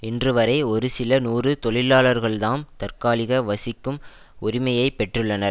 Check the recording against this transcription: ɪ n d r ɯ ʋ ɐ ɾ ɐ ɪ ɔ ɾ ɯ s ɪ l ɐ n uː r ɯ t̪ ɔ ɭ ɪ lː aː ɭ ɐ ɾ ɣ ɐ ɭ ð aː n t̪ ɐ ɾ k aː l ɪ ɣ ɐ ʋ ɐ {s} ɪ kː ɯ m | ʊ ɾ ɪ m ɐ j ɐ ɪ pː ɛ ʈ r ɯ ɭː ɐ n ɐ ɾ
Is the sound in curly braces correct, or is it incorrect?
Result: correct